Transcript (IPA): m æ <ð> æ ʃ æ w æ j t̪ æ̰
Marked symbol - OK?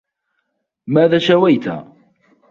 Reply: yes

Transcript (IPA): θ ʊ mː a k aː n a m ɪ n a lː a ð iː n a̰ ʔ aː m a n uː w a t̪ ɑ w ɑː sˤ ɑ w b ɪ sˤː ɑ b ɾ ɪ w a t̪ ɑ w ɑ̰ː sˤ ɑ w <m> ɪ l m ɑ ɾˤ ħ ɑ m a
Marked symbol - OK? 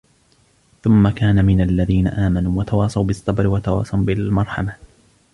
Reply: no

